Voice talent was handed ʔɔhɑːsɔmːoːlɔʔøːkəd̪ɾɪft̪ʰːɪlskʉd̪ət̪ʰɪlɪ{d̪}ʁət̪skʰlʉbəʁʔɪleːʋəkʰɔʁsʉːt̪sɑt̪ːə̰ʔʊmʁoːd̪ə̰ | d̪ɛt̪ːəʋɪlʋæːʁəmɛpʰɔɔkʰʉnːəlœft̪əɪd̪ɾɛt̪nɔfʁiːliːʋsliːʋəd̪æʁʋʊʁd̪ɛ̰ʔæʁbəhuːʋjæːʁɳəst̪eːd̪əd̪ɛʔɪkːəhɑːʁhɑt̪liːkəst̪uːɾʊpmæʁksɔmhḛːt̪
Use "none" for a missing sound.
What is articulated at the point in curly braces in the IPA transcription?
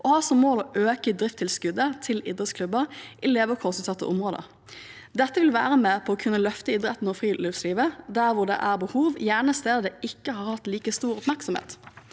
d̪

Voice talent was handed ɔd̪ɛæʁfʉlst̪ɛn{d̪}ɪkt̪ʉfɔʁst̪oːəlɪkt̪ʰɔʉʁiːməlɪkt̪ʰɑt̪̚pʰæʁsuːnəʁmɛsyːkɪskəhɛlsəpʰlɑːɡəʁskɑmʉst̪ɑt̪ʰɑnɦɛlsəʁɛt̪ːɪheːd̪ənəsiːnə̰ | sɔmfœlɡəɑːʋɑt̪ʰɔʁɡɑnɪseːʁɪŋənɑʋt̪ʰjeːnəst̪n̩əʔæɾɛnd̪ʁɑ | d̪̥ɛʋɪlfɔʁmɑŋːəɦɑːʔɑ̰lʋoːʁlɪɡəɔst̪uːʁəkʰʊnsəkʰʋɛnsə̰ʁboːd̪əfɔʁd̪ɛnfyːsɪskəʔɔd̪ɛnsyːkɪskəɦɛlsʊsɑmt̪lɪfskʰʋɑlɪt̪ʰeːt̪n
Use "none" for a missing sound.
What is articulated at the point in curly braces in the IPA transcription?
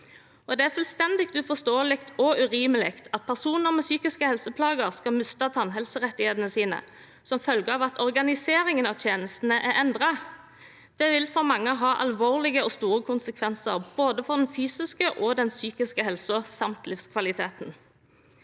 d̪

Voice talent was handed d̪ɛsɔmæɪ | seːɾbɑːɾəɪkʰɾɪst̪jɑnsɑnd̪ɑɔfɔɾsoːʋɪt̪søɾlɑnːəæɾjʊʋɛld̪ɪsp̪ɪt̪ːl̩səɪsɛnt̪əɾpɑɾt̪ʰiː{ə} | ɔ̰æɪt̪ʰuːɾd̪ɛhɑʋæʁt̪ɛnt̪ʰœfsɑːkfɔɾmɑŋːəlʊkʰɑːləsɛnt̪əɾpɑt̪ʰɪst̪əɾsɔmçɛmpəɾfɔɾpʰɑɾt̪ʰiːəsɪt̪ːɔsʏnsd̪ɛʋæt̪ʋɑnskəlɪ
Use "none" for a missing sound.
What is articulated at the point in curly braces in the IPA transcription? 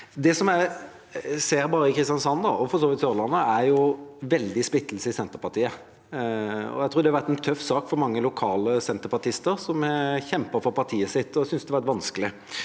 ə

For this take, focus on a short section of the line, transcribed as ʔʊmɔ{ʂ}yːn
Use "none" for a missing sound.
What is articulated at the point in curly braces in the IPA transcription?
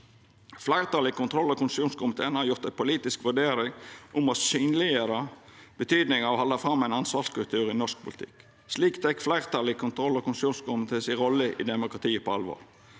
s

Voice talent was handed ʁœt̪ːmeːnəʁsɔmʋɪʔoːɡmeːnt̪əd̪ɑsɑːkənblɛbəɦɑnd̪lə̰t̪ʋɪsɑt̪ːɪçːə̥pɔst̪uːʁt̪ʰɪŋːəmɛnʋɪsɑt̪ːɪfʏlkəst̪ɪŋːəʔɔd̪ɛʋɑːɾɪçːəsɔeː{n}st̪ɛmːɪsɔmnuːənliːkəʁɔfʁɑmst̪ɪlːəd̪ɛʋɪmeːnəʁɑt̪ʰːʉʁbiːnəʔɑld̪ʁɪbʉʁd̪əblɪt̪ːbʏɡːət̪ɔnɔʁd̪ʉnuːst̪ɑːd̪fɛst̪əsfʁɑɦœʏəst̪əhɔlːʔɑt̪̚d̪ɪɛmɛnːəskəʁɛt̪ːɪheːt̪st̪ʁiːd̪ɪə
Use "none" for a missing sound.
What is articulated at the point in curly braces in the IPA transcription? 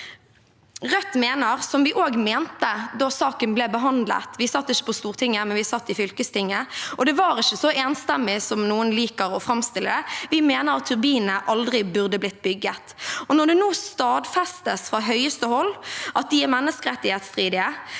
n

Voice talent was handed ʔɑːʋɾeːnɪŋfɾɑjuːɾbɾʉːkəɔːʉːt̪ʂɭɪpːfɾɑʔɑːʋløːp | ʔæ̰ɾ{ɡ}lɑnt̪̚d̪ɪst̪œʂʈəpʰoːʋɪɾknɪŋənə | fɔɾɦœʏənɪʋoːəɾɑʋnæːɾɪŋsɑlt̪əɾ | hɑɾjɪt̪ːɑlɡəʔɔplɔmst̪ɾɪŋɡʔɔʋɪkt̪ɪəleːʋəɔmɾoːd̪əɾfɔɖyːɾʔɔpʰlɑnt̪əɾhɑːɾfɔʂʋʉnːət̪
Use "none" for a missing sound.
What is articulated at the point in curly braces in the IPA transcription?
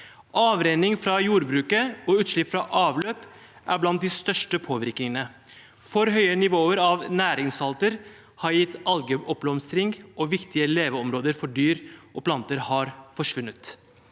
b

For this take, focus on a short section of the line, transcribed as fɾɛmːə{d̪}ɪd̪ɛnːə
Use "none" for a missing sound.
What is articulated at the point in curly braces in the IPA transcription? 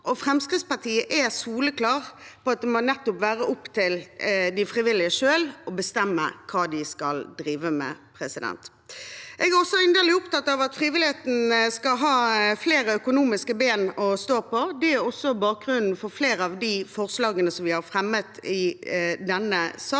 t̪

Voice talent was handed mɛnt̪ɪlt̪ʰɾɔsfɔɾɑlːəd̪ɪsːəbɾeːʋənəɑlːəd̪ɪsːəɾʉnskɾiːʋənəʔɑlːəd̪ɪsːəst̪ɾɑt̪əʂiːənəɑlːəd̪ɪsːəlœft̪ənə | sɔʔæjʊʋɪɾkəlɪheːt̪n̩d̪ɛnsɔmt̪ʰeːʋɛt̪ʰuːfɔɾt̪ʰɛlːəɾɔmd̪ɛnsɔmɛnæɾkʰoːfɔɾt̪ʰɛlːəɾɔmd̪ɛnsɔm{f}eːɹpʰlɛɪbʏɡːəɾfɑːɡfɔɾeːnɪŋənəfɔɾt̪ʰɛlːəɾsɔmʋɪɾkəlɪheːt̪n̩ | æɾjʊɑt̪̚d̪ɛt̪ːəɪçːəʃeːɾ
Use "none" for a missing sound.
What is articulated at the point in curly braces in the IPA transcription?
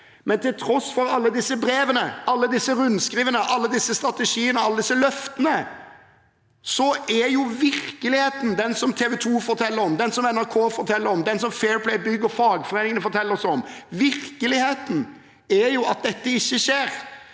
f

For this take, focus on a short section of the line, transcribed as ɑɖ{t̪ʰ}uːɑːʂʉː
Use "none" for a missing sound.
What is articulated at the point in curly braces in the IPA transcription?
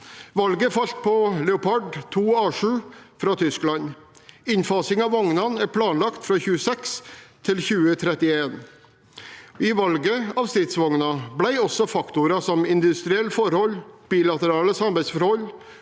t̪ʰ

